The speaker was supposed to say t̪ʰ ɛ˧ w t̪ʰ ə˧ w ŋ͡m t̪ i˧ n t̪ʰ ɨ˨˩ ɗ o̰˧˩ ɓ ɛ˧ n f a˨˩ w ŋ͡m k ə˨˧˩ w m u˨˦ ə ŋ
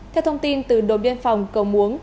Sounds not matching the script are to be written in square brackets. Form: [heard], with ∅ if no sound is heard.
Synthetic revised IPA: t̪ʰ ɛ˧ w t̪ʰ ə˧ w ŋ͡m t̪ i˧ n [t̪] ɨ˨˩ ɗ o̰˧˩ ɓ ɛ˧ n f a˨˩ w ŋ͡m k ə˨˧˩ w m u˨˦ ə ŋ